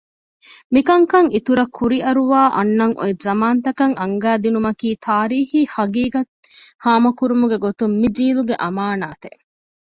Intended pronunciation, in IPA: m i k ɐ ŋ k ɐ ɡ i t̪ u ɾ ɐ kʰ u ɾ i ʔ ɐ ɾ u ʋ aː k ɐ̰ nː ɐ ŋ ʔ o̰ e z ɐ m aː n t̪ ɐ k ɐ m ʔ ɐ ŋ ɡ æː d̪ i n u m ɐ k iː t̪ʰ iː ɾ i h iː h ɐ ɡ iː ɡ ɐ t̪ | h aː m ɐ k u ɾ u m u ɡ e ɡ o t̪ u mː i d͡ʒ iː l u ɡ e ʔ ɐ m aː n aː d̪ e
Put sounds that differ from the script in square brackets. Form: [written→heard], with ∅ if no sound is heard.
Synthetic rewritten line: m i k ɐ ŋ k ɐ [ɡ→ŋ] i t̪ u ɾ ɐ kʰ u ɾ i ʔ ɐ ɾ u ʋ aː [k→ʔ] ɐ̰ nː ɐ ŋ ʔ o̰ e z ɐ m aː n t̪ ɐ k ɐ [m→ŋ] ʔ ɐ ŋ ɡ æː d̪ i n u m ɐ k iː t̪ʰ [iː→aː] ɾ [i→iː] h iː h ɐ ɡ iː ɡ ɐ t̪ | h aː m ɐ k u ɾ u m u ɡ e ɡ o t̪ u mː i d͡ʒ iː l u ɡ e ʔ ɐ m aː n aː [d̪→t̪] e